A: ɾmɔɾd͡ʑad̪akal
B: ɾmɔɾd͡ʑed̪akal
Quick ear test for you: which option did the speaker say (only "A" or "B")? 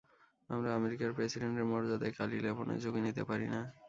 A